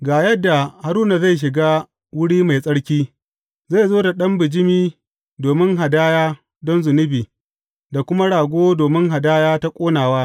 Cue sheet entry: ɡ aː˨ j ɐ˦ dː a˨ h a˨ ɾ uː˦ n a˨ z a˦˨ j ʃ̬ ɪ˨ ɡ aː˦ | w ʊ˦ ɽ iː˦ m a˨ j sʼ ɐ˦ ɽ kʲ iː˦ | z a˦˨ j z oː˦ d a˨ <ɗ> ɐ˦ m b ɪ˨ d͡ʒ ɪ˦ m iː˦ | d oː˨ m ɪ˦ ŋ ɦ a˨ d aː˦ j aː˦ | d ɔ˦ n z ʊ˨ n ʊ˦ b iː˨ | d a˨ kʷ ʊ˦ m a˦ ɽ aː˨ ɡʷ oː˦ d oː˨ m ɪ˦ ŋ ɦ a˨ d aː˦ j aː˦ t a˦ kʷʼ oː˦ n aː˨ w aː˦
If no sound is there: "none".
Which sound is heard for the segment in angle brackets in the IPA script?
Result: ɗ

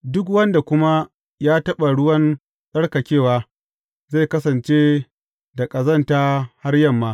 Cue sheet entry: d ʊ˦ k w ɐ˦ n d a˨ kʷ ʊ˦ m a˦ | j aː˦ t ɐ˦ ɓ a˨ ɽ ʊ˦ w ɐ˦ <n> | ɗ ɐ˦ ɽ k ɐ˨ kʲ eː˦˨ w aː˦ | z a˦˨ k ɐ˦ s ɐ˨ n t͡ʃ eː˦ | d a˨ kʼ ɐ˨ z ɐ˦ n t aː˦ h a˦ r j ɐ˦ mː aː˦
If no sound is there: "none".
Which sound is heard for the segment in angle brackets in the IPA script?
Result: n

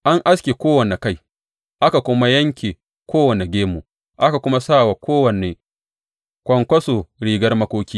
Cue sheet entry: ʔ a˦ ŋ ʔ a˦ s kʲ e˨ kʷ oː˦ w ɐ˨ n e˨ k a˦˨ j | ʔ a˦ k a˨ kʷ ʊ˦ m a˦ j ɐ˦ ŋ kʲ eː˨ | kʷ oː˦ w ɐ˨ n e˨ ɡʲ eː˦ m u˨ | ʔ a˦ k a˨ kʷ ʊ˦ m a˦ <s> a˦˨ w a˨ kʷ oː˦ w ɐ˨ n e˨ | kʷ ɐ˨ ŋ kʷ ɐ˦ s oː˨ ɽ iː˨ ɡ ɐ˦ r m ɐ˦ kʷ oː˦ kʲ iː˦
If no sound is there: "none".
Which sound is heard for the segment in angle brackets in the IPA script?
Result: s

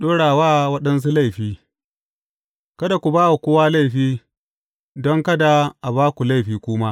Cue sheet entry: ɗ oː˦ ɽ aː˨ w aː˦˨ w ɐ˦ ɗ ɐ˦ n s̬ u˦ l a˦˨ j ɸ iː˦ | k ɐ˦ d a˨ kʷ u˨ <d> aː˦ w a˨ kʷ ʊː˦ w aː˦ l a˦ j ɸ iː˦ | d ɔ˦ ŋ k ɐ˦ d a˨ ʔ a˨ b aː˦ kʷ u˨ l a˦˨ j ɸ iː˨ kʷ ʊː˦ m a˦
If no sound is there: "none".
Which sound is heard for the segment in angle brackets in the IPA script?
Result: b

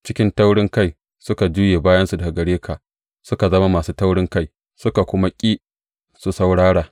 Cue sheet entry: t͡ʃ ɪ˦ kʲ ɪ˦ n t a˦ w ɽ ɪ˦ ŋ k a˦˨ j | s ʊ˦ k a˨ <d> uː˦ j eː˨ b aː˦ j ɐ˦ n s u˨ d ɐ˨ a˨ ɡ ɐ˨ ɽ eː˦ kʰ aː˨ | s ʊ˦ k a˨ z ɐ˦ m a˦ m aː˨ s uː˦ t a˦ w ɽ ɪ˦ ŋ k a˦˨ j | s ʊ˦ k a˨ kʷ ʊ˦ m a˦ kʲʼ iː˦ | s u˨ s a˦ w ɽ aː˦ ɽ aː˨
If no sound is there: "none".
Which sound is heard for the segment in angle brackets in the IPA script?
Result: d͡ʒ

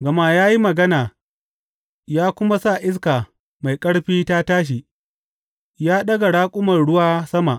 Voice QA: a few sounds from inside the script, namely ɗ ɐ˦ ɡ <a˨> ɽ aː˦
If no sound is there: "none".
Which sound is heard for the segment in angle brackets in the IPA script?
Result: a˨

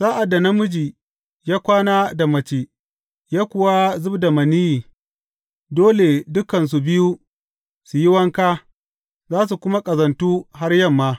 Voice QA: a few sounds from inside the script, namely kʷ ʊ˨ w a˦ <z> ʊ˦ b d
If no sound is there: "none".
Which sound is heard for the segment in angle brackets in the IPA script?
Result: z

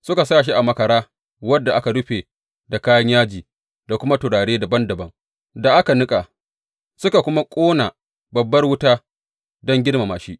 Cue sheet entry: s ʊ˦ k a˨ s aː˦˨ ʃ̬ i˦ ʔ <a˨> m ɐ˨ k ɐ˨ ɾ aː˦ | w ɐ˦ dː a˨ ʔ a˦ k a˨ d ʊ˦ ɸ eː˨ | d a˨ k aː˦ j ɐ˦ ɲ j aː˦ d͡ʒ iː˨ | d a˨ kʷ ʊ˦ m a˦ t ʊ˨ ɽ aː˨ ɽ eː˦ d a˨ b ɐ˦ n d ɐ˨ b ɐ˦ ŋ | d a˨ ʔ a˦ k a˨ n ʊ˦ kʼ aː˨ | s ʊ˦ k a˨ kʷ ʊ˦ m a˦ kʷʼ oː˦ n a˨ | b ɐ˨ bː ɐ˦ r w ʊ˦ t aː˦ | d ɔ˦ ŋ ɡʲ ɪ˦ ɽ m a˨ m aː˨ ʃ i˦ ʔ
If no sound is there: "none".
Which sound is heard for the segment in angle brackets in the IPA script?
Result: a˨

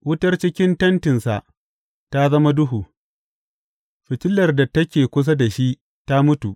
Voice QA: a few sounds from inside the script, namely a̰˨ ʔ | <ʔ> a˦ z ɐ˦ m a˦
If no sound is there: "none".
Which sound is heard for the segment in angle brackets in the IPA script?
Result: t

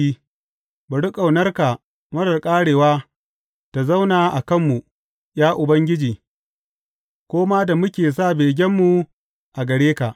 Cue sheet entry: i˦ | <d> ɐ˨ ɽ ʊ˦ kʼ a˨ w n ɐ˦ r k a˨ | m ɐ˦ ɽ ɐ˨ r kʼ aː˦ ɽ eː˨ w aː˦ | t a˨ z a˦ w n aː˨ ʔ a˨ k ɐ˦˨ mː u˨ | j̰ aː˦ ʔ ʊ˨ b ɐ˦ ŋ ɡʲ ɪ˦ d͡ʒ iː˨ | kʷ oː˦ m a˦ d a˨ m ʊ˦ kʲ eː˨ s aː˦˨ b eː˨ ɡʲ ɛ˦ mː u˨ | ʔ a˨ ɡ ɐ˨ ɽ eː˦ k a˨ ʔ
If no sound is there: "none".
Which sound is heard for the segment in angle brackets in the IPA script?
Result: b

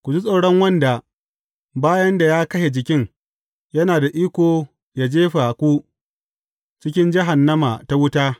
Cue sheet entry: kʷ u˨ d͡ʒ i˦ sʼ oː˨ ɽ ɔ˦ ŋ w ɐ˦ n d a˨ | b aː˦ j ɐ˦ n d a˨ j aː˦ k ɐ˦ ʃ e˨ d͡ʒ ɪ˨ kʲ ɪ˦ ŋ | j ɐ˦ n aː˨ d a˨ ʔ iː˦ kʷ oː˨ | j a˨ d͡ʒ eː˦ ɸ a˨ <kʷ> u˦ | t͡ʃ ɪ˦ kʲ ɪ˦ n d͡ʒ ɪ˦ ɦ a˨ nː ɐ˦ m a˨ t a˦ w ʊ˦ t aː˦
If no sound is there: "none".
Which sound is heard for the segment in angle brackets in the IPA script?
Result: kʷ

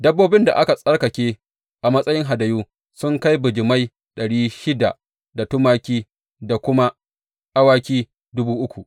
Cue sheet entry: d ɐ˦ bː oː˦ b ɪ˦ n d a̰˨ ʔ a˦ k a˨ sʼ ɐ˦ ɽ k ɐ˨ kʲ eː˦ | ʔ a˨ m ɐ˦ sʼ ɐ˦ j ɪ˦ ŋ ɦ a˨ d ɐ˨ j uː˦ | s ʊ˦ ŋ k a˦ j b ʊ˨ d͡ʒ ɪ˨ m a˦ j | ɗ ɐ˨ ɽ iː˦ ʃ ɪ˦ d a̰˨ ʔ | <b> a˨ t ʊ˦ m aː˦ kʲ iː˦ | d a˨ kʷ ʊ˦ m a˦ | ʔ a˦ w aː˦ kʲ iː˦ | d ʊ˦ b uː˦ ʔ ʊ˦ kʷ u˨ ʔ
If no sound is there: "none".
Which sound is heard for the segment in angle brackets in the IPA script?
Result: d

